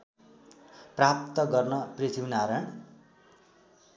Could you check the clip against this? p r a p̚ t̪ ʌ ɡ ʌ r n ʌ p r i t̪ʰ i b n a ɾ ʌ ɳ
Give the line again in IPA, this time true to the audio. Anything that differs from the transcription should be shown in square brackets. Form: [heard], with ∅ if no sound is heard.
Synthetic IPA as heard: p r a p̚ t̪ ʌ ɡ ʌ r n ʌ p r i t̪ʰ i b n a ɾ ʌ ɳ